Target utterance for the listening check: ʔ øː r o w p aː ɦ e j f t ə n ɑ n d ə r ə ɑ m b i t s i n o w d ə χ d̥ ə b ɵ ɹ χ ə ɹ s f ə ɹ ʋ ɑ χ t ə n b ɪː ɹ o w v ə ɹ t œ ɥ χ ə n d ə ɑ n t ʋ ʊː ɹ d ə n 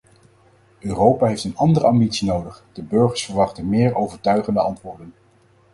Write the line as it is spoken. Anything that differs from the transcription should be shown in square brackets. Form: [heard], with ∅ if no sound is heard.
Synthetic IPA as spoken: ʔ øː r o w p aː ɦ e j f t ə n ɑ n d ə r ə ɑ m b i t s i n o w d ə χ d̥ ə b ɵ ɹ χ ə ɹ s f ə ɹ ʋ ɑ χ t ə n [m] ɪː ɹ o w v ə ɹ t œ ɥ χ ə n d ə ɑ n t ʋ ʊː ɹ d ə n